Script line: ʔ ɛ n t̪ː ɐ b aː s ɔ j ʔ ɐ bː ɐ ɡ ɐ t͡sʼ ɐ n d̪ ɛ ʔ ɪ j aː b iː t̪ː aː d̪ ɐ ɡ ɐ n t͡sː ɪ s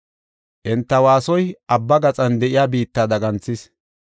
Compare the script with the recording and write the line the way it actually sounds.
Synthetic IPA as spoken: ʔ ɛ n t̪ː ɐ w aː s ɔ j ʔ ɐ bː ɐ ɡ ɐ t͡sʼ ɐ n d̪ ɛ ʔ ɪ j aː b iː t̪ː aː d̪ ɐ ɡ ɐ n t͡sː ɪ s